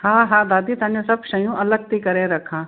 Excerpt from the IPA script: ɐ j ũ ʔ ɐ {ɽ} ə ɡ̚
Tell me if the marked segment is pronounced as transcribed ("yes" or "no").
no